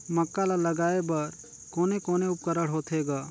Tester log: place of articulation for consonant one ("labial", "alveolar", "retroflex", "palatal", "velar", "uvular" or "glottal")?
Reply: labial